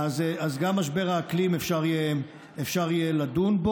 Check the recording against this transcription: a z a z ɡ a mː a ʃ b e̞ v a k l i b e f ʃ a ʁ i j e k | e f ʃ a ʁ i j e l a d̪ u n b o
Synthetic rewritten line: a z a z ɡ a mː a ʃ b e̞ ʁ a k l i m e f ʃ a ʁ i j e | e f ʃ a ʁ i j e l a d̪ u n b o